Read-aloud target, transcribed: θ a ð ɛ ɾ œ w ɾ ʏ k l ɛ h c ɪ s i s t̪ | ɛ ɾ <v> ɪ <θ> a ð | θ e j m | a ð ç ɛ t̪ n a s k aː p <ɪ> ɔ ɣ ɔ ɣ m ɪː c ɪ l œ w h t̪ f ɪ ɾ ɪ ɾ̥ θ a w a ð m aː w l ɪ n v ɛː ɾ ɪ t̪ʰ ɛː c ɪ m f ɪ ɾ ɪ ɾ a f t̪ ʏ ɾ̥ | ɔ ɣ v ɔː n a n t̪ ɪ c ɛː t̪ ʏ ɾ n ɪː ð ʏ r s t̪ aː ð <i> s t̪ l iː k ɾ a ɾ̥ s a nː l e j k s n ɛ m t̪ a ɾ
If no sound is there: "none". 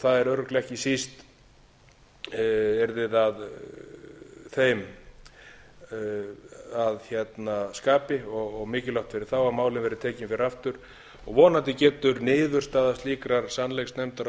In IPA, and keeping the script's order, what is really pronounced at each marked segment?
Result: ð, ð, ɪ, a

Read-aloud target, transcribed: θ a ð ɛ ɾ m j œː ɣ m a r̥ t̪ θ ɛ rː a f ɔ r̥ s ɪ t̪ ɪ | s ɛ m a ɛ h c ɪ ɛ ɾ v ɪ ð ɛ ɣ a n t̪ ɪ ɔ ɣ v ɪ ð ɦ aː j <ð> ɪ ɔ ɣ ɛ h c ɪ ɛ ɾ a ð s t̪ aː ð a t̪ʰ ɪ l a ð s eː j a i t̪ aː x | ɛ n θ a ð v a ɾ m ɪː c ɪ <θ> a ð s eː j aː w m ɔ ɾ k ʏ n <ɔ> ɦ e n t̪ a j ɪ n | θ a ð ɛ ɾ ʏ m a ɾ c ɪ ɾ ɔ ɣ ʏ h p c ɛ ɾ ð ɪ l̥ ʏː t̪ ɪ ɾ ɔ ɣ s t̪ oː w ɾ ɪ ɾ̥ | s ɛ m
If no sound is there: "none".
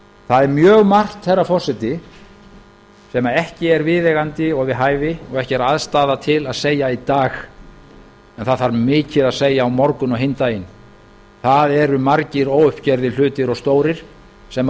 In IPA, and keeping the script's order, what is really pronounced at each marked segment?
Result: v, ð, ɔ

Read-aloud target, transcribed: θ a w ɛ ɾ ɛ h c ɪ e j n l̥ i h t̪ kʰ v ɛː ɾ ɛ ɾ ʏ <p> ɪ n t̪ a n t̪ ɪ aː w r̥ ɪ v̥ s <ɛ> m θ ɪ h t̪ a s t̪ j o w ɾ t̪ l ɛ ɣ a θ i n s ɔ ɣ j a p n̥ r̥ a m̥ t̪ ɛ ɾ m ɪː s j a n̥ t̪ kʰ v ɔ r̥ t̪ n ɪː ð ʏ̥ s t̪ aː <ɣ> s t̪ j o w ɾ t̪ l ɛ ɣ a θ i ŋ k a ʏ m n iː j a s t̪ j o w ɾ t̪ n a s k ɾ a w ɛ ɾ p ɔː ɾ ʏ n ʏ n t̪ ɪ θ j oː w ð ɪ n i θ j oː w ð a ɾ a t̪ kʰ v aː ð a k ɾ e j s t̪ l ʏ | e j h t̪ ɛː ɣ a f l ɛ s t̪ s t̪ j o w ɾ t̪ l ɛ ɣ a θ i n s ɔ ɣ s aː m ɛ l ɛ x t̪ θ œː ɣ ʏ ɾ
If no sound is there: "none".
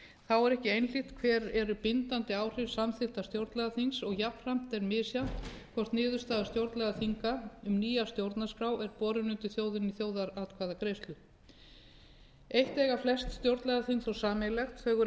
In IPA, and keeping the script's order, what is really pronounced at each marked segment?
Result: p, a, ð

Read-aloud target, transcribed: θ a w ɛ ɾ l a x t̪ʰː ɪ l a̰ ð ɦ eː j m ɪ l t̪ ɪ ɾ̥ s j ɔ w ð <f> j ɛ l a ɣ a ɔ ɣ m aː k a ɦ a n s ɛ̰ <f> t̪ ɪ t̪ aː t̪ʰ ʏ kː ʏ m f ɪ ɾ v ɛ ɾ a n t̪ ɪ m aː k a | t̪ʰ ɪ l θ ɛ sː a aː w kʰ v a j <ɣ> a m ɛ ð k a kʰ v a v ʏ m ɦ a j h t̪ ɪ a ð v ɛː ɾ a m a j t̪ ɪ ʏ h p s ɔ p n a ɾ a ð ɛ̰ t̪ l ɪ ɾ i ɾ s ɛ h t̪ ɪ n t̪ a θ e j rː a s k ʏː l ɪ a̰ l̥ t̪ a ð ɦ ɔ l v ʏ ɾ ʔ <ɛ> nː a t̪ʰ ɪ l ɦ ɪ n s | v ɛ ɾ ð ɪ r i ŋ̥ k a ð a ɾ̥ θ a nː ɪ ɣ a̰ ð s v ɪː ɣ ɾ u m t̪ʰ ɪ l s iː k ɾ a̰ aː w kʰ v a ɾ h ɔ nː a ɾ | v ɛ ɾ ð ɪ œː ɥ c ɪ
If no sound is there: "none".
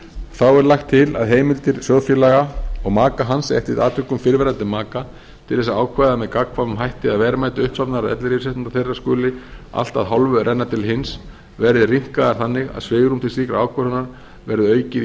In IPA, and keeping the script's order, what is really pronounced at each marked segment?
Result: f, h, ð, ɛ

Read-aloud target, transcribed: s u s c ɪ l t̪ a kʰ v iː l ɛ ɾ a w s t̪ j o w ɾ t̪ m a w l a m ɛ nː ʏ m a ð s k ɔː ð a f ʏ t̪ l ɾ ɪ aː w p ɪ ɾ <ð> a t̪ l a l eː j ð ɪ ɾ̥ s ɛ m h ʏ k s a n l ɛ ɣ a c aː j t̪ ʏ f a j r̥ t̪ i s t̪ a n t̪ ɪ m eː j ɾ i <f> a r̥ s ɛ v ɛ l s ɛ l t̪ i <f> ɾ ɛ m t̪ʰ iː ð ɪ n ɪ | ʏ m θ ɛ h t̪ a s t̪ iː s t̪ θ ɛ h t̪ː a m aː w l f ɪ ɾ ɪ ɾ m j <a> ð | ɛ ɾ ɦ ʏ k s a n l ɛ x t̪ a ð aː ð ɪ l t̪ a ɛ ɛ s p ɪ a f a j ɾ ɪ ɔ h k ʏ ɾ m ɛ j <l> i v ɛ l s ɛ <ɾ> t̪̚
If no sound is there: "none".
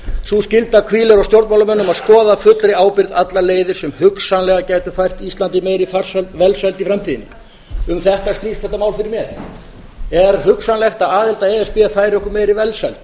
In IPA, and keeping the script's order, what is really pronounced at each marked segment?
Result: ð, f, f, ɛ, ɾ, l

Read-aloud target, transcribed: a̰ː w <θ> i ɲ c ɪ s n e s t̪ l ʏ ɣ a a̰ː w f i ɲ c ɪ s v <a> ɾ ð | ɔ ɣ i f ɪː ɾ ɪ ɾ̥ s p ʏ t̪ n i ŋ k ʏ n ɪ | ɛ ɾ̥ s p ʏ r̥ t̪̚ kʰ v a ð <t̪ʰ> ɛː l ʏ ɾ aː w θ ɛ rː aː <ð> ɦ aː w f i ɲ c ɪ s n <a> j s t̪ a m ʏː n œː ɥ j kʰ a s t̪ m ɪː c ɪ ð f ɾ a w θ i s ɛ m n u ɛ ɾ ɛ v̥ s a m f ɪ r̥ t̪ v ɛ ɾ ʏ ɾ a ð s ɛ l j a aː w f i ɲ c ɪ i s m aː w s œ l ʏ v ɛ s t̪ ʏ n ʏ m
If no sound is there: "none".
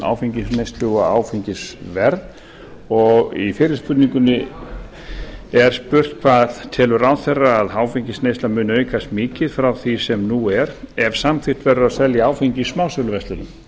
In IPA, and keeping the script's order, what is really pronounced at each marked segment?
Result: f, ɛ, t̪ʰ, ð, e

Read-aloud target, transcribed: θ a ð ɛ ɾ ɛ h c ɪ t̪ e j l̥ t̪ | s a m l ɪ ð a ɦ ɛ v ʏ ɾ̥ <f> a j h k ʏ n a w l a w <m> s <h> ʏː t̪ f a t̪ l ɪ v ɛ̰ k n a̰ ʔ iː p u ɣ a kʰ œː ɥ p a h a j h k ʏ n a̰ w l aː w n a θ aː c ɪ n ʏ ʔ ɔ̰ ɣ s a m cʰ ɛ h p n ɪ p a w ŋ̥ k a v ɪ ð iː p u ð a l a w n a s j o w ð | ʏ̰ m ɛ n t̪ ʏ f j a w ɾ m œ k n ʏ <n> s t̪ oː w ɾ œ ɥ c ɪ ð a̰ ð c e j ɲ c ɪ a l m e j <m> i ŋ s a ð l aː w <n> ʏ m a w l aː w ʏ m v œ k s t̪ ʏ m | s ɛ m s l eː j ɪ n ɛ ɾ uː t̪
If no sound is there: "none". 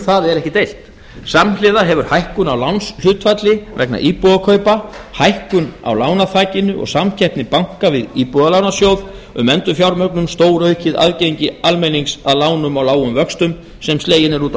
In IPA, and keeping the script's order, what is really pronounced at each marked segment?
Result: h, n, h, m, n, n

